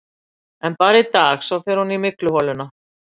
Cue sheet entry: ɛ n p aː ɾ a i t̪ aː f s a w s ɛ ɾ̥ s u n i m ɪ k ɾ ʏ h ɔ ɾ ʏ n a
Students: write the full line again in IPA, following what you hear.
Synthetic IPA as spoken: ɛ n p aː ɾ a i t̪ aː x s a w θ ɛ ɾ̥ h u n i m ɪ k l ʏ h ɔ l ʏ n a